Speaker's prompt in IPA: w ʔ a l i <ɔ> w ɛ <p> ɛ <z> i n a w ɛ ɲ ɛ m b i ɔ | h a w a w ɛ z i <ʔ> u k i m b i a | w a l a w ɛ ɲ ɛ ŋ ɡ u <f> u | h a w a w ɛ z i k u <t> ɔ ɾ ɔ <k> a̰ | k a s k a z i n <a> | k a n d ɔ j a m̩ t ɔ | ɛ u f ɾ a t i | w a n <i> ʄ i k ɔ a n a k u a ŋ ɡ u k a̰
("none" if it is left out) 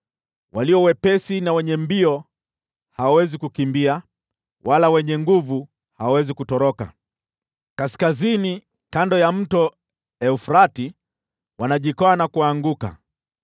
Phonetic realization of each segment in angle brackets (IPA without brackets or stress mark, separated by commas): ɔ, p, s, k, v, t, k, i, a